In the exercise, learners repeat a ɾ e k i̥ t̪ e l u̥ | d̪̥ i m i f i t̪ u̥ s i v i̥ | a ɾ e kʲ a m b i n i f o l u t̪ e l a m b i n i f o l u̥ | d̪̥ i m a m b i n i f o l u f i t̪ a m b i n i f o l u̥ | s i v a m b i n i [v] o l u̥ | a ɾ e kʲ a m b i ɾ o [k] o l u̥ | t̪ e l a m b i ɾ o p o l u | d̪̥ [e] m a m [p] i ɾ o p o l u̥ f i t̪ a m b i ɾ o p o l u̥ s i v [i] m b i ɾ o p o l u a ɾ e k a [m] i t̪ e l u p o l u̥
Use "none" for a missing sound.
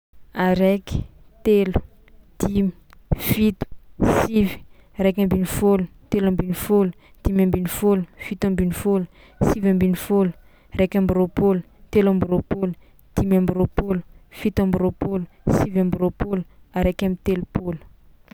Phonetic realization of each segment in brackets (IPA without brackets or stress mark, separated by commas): f, p, i, b, a, m